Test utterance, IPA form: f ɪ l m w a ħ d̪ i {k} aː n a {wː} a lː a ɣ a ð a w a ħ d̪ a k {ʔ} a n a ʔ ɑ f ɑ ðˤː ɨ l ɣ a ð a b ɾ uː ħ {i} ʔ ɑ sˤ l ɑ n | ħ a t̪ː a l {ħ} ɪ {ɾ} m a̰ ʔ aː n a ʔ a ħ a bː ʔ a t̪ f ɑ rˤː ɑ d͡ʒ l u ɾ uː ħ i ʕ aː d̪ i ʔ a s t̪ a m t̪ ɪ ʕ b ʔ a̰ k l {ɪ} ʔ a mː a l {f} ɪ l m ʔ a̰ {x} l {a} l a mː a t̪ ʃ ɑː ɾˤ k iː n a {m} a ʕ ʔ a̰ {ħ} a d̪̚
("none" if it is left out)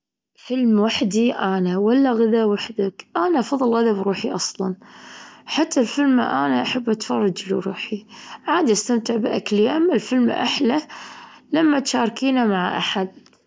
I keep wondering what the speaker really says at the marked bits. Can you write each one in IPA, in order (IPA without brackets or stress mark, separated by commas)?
ʔ, w, ʔ, i, f, l, i, f, ħ, a, m, ħ